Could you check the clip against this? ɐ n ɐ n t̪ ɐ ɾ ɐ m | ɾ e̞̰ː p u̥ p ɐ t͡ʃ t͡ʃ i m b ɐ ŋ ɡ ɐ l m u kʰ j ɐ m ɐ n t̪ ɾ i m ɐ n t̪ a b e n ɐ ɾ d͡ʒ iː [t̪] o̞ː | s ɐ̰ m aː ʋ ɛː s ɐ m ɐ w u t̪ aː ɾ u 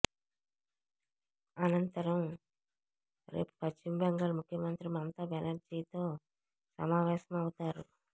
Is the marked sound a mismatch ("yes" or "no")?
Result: no